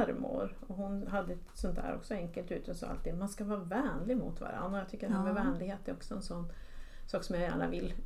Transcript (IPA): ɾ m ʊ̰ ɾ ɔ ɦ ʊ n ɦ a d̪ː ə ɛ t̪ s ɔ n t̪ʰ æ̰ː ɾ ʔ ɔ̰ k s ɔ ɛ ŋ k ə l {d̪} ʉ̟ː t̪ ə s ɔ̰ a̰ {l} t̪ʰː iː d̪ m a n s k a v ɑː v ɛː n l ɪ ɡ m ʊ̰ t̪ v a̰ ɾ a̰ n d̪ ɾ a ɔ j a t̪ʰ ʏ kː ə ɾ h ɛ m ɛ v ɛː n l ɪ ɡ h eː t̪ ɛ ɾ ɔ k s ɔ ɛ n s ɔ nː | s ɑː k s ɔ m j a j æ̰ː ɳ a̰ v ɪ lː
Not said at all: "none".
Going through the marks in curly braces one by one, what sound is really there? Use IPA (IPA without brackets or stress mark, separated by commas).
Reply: t̪, l